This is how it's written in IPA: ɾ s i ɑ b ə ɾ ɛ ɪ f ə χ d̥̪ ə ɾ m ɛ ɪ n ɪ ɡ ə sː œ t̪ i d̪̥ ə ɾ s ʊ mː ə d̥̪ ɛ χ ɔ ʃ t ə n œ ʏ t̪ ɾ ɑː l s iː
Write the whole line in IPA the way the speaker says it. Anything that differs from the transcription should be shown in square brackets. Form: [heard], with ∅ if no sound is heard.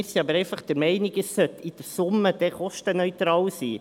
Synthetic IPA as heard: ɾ s i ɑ b ə ɾ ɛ ɪ f [ɑ] χ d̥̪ ə ɾ m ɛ ɪ n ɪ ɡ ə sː œ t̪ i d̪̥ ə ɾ s ʊ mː ə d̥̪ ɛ χ ɔ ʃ t ə n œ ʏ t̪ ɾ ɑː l s iː